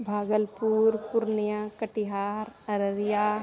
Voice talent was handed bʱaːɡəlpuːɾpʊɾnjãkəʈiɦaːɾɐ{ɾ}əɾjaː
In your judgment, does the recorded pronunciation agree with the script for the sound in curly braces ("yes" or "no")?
yes